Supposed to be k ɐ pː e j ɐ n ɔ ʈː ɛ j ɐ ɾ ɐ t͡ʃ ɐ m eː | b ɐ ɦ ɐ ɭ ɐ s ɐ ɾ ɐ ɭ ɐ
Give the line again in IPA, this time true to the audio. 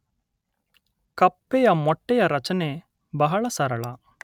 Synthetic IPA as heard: k ɐ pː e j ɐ m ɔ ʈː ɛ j ɐ ɾ ɐ t͡ʃ ɐ n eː | b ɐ ɦ ɐ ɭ ɐ s ɐ ɾ ɐ ɭ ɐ